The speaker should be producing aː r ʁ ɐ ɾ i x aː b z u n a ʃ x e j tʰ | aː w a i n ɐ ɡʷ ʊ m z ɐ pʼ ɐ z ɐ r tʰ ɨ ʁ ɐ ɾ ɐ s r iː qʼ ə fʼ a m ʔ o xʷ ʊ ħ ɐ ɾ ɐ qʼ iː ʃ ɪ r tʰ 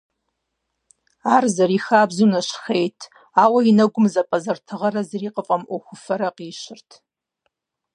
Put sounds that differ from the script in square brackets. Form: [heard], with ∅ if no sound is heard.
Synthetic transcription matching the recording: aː r [z] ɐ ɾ i x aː b z u n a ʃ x e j tʰ | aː w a i n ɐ ɡʷ ʊ m z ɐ pʼ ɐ z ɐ r tʰ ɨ ʁ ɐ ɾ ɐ [z] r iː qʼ ə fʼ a m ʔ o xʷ ʊ [f] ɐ ɾ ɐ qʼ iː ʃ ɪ r tʰ